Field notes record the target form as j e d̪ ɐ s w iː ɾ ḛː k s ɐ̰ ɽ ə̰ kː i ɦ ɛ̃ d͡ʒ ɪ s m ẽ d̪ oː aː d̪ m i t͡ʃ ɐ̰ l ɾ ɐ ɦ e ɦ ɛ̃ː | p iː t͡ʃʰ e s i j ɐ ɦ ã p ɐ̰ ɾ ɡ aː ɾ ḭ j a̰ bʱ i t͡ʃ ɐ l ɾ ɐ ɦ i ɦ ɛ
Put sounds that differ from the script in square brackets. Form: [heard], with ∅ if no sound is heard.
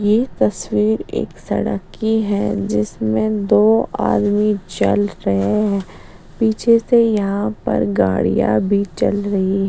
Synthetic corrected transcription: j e [t̪] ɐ s w iː ɾ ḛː k s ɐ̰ ɽ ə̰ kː i ɦ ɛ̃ d͡ʒ ɪ s m ẽ d̪ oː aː d̪ m i t͡ʃ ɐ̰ l ɾ ɐ ɦ e ɦ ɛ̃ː | p iː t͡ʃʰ e s [e] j ɐ ɦ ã p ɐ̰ ɾ ɡ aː [ɽ] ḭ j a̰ bʱ i t͡ʃ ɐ l ɾ ɐ ɦ i ɦ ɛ